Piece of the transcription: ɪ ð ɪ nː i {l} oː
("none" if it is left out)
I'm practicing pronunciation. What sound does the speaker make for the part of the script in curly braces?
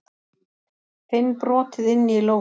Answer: l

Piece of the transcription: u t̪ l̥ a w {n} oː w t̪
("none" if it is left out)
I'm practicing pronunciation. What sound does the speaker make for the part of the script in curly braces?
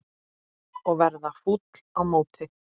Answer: m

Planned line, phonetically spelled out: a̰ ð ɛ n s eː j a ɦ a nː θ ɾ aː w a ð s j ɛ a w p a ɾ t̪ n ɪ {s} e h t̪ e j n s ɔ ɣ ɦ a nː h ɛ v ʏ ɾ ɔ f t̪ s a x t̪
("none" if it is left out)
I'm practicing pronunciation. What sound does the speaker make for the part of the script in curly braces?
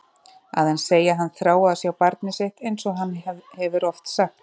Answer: s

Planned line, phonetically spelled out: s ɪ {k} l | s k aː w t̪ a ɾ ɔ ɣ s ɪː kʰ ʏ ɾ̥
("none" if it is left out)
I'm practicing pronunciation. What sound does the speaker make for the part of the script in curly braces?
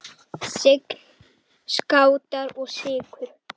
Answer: k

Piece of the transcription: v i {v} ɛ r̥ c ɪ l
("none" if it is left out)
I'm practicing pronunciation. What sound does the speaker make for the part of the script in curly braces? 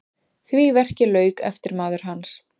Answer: v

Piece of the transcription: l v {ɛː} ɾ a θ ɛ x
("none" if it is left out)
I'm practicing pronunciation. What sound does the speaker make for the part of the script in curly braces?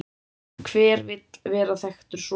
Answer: ɛː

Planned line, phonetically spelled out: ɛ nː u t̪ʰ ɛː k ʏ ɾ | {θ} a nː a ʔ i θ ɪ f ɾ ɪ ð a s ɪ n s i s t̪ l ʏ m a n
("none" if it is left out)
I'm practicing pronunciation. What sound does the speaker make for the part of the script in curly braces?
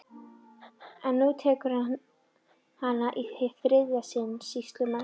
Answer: h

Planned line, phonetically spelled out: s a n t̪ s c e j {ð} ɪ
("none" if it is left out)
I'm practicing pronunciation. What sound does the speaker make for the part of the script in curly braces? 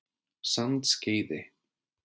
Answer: ð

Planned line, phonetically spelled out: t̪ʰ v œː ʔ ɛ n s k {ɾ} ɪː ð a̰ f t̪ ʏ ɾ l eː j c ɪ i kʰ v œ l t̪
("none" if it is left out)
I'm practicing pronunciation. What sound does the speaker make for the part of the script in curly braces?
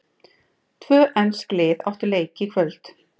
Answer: l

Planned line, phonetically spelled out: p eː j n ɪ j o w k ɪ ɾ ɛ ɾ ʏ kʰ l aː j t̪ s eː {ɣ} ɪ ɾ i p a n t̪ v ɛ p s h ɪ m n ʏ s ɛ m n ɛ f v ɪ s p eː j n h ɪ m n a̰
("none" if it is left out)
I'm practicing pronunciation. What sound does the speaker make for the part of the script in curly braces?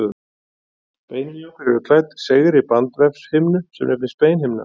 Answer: ɣ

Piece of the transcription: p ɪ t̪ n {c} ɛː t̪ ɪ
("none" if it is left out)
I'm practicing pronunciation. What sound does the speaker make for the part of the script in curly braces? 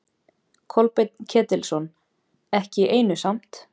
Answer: cʰ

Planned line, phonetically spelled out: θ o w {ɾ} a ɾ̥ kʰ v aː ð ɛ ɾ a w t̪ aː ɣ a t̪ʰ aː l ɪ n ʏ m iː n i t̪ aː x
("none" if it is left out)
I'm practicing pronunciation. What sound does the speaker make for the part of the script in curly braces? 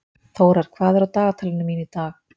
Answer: ɾ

